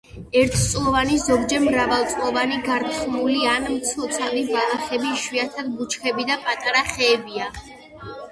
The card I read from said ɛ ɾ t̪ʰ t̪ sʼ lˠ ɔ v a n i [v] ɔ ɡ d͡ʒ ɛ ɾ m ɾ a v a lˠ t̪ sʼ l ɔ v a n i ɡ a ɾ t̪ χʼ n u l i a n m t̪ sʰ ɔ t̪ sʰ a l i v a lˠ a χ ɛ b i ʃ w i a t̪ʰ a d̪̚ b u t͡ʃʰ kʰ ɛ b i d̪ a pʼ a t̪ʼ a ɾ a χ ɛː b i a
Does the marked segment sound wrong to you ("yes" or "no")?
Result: yes